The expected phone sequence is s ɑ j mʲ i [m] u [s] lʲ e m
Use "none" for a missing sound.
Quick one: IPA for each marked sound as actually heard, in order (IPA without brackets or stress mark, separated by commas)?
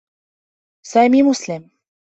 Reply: m, s